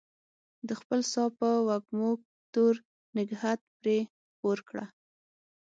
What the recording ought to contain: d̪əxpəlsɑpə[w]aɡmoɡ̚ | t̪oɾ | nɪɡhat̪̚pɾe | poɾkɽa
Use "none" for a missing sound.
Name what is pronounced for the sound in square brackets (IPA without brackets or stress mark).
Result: w